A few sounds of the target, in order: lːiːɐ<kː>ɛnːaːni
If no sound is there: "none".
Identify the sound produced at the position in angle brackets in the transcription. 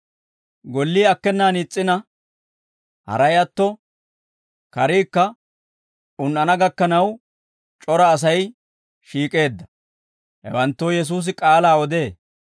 kː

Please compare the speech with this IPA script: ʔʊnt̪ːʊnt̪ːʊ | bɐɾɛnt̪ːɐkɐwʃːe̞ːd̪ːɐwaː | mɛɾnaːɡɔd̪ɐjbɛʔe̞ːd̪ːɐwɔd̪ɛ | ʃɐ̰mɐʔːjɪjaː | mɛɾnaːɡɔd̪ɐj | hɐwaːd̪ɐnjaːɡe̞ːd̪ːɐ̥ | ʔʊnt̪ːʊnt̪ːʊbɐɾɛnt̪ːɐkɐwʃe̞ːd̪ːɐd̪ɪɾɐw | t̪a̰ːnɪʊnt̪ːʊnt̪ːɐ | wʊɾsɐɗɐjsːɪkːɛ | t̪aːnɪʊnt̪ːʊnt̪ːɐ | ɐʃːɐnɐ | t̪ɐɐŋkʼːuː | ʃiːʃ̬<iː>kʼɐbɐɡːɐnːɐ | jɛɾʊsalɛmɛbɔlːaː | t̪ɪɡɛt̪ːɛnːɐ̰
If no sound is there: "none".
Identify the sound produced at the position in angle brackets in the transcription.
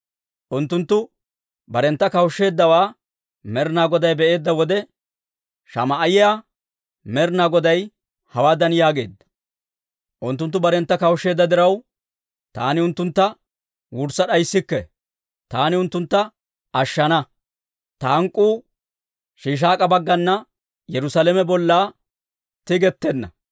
aː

